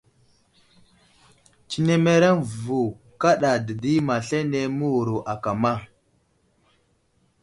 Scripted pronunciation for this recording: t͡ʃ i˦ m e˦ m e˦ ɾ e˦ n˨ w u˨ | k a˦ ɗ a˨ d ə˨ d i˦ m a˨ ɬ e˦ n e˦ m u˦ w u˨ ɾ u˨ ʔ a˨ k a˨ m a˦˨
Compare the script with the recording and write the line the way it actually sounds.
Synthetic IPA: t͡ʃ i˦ n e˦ m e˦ ɾ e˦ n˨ v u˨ | k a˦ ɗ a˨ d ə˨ d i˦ m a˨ ɬ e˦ n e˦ m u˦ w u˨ ɾ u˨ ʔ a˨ k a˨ m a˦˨